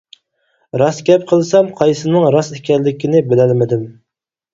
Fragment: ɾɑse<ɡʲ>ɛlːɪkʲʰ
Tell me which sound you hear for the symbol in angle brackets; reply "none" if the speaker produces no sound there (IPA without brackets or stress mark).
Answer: kʲ